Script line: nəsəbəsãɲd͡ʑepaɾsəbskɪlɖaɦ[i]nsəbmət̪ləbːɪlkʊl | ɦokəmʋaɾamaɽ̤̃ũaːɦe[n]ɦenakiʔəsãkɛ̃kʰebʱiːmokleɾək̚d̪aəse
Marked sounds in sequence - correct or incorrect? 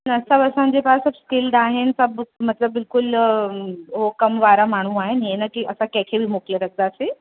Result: incorrect, correct

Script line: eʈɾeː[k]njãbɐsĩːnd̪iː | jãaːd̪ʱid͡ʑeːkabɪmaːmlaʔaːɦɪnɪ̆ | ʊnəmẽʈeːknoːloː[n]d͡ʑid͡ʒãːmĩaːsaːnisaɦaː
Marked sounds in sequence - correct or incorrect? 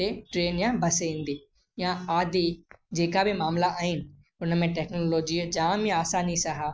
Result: incorrect, incorrect

